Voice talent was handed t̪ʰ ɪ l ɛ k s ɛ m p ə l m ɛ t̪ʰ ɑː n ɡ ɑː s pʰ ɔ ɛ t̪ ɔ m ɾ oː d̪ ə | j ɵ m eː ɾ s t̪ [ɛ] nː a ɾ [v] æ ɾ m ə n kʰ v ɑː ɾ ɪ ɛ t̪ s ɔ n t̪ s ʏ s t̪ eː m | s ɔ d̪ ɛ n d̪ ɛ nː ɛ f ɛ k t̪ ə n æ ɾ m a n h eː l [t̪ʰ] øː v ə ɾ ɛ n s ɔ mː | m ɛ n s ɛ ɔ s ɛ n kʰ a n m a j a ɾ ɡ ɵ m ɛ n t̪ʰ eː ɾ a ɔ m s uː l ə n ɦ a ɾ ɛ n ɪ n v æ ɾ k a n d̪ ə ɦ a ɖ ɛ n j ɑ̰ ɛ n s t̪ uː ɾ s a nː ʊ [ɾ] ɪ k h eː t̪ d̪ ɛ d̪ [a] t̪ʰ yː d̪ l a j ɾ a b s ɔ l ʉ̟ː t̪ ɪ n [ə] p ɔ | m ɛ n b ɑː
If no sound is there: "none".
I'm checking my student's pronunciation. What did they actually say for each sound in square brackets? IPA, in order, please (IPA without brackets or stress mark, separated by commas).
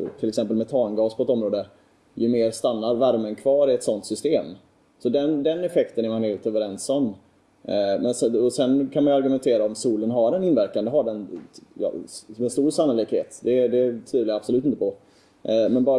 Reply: a, v, t̪, l, ɛ, ə